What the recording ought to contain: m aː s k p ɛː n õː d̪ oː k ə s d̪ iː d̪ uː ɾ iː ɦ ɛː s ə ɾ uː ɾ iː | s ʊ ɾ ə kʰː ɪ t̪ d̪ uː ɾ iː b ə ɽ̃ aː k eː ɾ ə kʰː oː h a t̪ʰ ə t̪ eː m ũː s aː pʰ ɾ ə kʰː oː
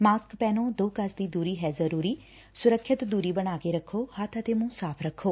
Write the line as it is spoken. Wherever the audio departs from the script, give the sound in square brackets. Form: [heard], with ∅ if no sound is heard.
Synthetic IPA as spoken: m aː s k p ɛː n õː d̪ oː k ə s d̪ iː d̪ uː ɾ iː ɦ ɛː [z] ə ɾ uː ɾ iː | s ʊ ɾ ə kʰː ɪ t̪ d̪ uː ɾ iː b ə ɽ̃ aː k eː ɾ ə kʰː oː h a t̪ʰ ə t̪ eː m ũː s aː pʰ ɾ ə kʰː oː